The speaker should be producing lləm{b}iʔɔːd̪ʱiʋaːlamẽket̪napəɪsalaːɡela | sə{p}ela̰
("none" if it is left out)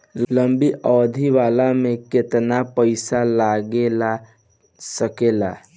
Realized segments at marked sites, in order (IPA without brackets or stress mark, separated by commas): b, k